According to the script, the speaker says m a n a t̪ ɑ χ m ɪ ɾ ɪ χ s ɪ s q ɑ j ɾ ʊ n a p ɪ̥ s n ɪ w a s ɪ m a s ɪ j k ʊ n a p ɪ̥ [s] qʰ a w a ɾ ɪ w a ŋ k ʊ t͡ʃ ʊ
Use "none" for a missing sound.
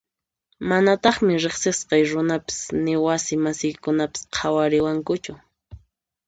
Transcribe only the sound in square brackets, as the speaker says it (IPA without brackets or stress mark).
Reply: s